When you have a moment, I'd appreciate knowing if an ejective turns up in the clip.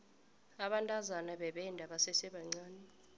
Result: yes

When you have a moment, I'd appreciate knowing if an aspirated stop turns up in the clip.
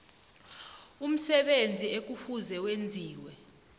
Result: no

